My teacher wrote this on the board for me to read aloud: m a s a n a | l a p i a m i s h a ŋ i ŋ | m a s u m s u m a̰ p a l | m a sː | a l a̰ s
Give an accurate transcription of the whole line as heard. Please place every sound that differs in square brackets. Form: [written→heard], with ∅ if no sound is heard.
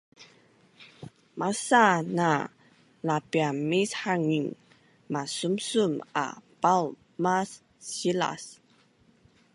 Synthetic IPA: m a s a n a | l a p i a m i s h a ŋ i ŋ | m a s u m s u m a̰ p a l | m a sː | [a→i] l a̰ s